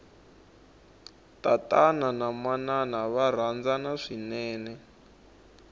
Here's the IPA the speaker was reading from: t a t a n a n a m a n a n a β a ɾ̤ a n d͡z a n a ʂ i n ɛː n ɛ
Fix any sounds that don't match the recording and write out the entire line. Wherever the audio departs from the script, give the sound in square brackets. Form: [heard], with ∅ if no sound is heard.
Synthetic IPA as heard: t a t a n a n a m a n a n a β a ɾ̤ a n d͡z a n a ʂ i n ɛː n ɛ